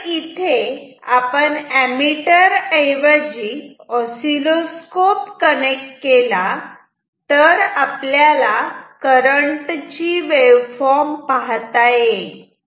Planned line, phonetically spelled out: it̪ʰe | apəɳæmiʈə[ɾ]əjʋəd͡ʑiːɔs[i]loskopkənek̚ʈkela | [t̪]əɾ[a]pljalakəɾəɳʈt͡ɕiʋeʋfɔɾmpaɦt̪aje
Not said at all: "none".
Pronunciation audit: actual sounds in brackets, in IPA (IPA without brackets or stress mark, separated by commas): ɾ, i, t̪, a